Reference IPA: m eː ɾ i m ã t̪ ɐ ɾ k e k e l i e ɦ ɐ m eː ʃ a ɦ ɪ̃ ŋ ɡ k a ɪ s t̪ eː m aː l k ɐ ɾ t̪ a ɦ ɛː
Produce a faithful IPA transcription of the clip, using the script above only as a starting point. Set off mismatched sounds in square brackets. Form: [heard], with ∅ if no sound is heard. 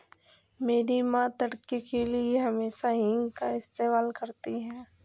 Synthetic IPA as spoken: m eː ɾ i m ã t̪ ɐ [ɽ] k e k e l i e ɦ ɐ m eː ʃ a ɦ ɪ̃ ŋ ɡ k a ɪ s t̪ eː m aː l k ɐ ɾ t̪ [i] ɦ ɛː